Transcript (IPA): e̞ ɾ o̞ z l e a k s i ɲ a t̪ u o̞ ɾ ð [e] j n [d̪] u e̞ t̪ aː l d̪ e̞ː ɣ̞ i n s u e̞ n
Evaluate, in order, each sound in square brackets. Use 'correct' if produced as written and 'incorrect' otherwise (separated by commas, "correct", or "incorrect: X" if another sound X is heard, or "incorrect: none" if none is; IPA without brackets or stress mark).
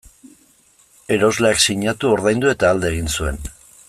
incorrect: a, correct